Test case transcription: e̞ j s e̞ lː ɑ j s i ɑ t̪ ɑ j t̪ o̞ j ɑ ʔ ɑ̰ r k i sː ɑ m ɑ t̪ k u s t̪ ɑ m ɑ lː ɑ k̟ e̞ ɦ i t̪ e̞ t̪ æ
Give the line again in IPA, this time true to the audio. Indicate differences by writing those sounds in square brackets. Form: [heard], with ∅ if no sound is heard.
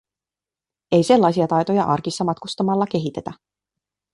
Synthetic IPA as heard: e̞ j s e̞ lː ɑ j s i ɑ t̪ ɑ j t̪ o̞ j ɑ ʔ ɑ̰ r k i sː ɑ m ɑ t̪ k u s t̪ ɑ m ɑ lː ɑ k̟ e̞ ɦ i t̪ e̞ t̪ æ